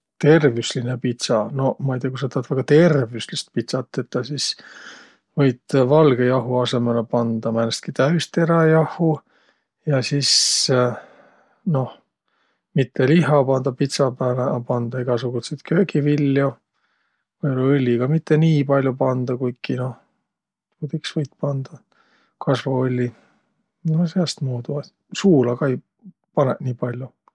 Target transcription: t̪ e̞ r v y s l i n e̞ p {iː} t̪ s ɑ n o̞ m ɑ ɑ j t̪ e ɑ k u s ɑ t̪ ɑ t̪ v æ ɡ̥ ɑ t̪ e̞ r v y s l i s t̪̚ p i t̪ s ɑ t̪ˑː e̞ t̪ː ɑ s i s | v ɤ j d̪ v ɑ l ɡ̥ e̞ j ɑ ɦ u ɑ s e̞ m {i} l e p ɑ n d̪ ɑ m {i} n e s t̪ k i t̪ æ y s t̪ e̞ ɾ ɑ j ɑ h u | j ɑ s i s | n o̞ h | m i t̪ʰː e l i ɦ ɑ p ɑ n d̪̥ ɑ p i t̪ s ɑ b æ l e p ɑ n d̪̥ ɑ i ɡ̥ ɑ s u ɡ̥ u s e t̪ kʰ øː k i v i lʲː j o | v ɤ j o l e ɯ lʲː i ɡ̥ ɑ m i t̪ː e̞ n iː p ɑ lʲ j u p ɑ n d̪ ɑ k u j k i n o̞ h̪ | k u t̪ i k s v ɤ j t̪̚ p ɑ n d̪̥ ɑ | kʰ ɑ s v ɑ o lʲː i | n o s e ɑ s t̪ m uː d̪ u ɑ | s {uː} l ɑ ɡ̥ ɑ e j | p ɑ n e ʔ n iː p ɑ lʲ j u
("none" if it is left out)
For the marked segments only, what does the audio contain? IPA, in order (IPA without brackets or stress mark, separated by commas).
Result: i, e, æ, uː